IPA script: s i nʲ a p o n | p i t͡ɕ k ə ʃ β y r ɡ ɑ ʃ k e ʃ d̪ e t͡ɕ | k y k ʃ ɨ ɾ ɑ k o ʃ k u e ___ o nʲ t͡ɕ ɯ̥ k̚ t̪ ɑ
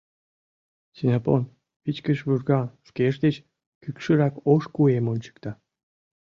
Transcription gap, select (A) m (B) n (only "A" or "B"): A